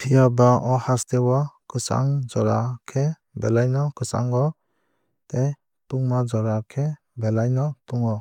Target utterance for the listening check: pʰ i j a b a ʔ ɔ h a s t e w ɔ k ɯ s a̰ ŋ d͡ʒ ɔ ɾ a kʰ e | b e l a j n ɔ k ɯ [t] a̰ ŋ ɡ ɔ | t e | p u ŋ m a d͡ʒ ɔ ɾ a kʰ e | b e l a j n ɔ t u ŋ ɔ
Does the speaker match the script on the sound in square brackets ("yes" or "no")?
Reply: no